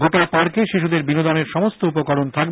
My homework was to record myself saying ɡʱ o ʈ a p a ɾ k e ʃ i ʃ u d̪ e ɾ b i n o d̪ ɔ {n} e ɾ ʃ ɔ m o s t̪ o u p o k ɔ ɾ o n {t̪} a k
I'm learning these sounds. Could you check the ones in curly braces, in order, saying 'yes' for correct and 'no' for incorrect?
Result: yes, no

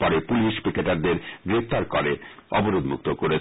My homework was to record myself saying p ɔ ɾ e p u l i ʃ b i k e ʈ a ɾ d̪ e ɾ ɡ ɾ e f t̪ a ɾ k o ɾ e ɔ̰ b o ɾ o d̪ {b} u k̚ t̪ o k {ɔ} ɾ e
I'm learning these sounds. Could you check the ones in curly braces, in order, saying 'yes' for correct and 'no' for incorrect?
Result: no, no

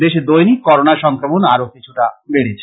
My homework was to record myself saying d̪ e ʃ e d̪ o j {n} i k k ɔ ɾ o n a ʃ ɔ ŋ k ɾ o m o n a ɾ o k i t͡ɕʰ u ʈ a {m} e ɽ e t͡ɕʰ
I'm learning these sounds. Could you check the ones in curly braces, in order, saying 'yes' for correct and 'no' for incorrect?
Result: yes, no

